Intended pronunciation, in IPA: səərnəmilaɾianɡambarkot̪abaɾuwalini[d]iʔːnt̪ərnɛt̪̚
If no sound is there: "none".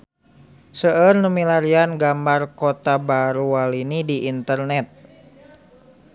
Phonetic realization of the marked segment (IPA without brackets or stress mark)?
d